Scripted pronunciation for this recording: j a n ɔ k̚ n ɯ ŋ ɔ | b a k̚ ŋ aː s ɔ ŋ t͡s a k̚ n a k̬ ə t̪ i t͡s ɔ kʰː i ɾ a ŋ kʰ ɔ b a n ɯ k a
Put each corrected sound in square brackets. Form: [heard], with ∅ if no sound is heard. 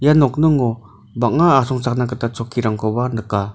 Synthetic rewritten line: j a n ɔ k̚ n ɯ ŋ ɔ | b a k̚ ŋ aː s ɔ ŋ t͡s a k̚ n a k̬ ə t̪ [a] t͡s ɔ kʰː i ɾ a ŋ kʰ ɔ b a n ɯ k a